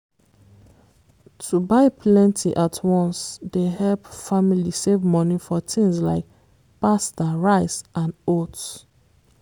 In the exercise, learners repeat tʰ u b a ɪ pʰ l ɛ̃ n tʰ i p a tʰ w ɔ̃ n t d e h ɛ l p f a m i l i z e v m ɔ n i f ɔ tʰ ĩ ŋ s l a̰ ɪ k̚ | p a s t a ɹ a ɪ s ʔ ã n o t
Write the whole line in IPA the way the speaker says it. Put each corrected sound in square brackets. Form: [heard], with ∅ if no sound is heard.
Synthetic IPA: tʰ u b a ɪ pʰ l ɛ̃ n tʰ i [ʔ] a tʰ w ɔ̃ n [s] d e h ɛ l p f a m i l i [s] e v m ɔ n i f ɔ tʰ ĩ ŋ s l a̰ ɪ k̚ | p a s t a ɹ a ɪ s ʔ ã n o t